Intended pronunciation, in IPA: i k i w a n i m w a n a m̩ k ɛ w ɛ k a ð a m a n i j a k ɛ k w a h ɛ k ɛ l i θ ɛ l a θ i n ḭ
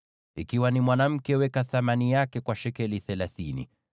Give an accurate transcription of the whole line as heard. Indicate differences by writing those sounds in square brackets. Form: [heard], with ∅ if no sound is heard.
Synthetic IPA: i k i w a n i m w a n a m̩ k ɛ w ɛ k a [θ] a m a n i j a k ɛ k w a [ʃ] ɛ k ɛ l i θ ɛ l a θ i n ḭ